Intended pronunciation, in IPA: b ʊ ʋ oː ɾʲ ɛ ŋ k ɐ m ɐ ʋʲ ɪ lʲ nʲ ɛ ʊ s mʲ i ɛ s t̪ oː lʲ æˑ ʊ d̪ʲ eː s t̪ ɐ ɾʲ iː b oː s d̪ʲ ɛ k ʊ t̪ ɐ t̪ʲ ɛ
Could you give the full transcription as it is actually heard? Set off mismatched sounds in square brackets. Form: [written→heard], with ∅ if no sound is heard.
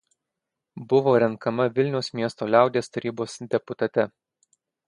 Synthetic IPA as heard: b ʊ ʋ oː ɾʲ ɛ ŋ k ɐ m ɐ ʋʲ ɪ lʲ nʲ ɛ ʊ s mʲ i ɛ s t̪ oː lʲ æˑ ʊ d̪ʲ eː s t̪ ɐ ɾʲ iː b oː s d̪ʲ ɛ [k→p] ʊ t̪ ɐ t̪ʲ ɛ